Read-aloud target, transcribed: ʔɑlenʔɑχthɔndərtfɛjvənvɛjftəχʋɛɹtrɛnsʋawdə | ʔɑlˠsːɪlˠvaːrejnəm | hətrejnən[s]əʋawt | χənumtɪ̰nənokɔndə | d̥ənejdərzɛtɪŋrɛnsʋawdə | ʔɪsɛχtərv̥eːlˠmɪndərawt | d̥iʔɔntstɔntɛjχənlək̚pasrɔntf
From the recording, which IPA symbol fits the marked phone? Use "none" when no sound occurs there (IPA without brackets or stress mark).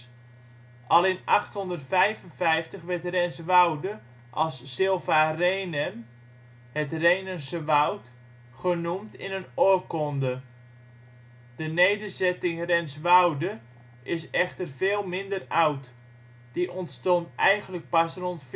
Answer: s